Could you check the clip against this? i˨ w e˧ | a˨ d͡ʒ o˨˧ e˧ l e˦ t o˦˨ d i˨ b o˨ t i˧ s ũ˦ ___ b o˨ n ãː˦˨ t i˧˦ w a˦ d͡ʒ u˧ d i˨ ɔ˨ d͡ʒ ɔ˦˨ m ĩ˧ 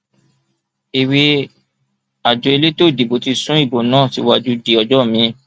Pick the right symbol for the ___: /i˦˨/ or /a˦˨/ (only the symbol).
i˦˨